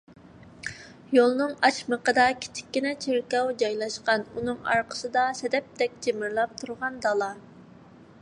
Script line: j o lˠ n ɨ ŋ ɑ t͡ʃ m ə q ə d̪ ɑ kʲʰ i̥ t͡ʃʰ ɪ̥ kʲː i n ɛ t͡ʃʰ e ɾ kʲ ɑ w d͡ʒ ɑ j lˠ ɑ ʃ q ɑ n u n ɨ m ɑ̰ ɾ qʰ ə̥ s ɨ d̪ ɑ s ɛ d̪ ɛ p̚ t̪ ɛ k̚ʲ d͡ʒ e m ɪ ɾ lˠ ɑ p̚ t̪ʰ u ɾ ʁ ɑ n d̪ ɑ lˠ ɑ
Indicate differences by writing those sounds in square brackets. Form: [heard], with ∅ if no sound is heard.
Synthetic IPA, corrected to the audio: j o lˠ n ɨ ŋ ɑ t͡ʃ m ə q ə d̪ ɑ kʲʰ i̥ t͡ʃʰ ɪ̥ kʲː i n ɛ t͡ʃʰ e ɾ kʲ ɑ w d͡ʒ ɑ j lˠ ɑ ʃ q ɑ n u n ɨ [ŋ] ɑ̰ ɾ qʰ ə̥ s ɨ d̪ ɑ s ɛ d̪ ɛ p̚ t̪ ɛ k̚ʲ d͡ʒ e m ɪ ɾ lˠ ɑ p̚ t̪ʰ u ɾ ʁ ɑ n d̪ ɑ lˠ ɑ

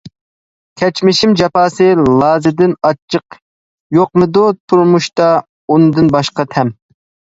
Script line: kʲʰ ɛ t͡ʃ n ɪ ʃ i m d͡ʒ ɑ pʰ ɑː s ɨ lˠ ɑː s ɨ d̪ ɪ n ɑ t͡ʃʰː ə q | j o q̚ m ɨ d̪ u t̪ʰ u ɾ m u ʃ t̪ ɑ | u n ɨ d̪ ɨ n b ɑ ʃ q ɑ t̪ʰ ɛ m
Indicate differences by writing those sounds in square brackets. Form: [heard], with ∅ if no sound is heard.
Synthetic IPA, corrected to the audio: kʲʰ ɛ t͡ʃ [m] ɪ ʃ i m d͡ʒ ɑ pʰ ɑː s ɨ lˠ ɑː [z] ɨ d̪ ɪ n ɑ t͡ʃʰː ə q | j o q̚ m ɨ d̪ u t̪ʰ u ɾ m u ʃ t̪ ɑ | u n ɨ d̪ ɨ n b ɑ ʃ q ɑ t̪ʰ ɛ m

